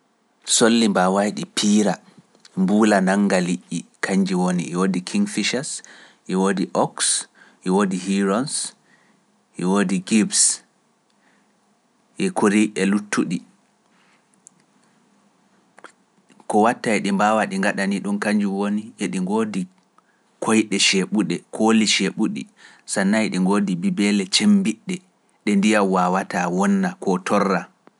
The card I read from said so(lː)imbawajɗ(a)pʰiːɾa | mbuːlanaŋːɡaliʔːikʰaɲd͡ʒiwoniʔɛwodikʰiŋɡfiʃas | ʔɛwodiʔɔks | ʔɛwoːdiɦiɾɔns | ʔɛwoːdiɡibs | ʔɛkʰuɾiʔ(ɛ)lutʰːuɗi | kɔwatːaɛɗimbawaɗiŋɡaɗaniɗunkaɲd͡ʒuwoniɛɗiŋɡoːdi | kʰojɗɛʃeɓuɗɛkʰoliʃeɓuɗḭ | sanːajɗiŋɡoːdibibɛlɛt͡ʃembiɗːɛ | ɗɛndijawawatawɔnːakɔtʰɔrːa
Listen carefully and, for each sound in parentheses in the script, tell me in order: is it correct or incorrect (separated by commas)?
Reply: correct, incorrect, correct